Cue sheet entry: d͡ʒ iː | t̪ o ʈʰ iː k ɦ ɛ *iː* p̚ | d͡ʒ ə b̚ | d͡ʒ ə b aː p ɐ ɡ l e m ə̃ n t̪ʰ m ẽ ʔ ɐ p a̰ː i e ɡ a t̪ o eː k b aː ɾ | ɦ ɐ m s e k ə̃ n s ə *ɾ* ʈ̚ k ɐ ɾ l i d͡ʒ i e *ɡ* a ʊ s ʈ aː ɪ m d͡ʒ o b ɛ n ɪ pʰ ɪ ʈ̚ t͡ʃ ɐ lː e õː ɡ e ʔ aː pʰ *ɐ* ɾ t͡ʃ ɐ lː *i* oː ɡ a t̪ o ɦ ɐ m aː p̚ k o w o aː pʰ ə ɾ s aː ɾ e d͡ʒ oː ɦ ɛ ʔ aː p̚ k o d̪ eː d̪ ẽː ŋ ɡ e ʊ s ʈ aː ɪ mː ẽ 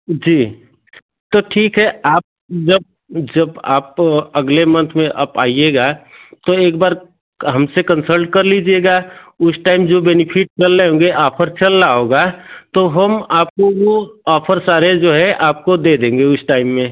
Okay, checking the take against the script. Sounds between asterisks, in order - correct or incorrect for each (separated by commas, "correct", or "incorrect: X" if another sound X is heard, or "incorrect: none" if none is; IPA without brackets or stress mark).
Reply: incorrect: aː, incorrect: l, correct, incorrect: ə, incorrect: a